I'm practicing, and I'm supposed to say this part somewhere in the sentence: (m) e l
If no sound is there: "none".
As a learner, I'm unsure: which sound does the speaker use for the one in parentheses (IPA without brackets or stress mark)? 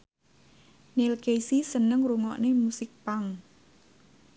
n